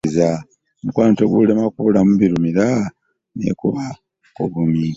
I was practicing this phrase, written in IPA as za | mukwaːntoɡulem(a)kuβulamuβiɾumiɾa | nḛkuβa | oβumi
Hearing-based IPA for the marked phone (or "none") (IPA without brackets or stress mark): a